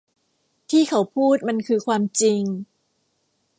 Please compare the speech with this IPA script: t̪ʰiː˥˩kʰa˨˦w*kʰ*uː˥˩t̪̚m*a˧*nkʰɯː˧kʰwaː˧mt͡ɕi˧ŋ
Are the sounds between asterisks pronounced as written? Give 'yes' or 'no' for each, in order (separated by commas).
no, yes